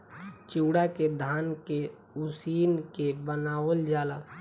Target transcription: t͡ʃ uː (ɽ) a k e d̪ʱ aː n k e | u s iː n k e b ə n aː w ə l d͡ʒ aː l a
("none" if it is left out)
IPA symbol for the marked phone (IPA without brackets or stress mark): ɽ